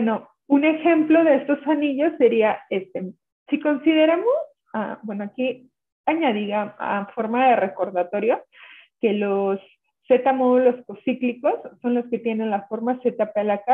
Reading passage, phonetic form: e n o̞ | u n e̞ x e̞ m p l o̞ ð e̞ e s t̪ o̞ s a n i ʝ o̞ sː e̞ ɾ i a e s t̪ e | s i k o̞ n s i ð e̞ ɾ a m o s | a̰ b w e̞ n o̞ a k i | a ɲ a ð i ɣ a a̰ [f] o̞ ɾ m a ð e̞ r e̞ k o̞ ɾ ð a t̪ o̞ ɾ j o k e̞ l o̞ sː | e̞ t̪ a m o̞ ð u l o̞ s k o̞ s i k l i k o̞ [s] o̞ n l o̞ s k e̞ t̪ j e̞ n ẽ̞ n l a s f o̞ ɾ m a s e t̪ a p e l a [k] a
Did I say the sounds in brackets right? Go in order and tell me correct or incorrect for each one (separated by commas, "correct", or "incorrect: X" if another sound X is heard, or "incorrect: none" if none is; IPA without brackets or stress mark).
correct, incorrect: sː, correct